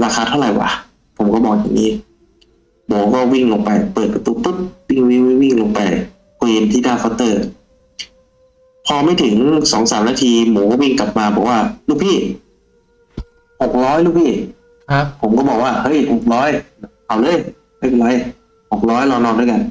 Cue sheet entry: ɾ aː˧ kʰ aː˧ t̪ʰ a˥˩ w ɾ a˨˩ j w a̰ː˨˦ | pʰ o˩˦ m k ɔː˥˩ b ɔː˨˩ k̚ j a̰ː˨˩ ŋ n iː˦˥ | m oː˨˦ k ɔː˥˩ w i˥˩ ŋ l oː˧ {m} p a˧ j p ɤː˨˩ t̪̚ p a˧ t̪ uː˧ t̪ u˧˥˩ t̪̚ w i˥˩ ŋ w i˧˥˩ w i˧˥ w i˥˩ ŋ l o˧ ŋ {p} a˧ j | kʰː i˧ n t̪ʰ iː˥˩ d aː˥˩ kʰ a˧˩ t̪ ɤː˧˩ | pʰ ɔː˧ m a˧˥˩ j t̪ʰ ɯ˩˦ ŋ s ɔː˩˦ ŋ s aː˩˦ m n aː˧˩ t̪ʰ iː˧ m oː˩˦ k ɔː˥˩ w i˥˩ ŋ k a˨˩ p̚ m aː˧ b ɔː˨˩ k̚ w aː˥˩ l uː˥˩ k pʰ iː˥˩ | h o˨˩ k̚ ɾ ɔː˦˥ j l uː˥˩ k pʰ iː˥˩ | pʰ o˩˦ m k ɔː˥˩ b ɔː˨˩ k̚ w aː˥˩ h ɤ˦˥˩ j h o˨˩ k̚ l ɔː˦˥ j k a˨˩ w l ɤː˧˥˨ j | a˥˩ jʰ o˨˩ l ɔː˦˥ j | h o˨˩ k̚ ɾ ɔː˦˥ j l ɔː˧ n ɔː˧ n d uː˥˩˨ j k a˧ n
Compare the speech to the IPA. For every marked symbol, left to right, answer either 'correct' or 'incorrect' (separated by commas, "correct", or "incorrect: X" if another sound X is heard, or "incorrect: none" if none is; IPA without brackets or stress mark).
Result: incorrect: ŋ, correct